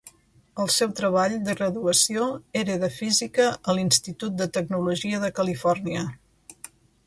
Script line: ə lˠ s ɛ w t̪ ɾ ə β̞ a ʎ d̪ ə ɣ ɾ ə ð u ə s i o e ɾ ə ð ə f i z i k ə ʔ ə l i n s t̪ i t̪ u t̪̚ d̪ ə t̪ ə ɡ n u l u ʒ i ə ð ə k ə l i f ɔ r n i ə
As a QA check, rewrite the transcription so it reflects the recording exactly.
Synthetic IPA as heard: ə lˠ s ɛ w t̪ ɾ ə β̞ a ʎ d̪ ə ɣ ɾ ə ð u ə s i o e ɾ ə ð ə f i z i k ə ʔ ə l i n s t̪ i t̪ u t̪̚ d̪ ə t̪ ə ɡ n u l u ʒ i ə ð ə k ə l i f ɔ r n i ə